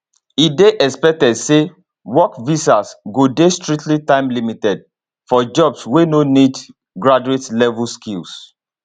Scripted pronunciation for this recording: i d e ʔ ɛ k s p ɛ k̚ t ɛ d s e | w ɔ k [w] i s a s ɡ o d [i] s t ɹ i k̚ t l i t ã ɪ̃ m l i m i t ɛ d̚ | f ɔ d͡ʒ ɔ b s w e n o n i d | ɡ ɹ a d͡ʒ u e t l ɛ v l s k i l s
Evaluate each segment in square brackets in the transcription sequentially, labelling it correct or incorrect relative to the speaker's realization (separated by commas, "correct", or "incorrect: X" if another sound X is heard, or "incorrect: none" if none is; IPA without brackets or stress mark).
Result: incorrect: v, incorrect: e